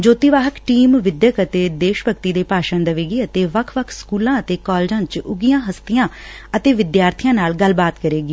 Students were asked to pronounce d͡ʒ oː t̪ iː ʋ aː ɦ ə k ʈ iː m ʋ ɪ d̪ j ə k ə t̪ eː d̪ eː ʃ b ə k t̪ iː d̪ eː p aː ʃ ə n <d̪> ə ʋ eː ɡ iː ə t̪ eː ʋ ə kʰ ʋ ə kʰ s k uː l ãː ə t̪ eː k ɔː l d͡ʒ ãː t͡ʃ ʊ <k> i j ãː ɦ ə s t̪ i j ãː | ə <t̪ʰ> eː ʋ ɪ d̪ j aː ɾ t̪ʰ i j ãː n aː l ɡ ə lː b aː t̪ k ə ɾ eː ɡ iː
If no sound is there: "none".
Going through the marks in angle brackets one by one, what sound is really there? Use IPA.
d̪, ɡ, t̪

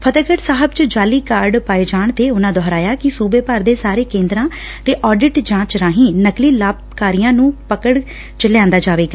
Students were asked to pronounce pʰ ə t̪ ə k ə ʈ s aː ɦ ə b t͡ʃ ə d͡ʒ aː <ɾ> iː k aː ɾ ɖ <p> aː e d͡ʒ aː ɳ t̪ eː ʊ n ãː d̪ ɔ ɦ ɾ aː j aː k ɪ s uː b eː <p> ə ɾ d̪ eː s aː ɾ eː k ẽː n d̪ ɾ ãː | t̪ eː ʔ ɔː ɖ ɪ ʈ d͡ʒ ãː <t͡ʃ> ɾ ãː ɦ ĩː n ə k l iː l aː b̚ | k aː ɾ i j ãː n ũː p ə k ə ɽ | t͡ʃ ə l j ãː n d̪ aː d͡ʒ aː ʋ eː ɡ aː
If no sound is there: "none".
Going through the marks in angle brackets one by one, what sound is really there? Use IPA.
l, p, p, t͡ʃ

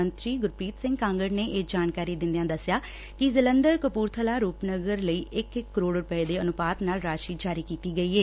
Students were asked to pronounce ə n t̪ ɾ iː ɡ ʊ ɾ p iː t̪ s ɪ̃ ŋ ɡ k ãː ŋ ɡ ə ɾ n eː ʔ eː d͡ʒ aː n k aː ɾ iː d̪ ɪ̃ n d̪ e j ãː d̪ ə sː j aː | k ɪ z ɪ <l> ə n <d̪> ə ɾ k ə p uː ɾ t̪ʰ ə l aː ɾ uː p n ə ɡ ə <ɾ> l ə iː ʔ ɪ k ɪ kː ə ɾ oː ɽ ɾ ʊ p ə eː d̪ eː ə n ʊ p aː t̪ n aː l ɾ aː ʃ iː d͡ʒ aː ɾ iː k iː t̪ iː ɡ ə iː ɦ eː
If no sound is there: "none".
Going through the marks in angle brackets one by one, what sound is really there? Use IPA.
l, d̪, ɾ

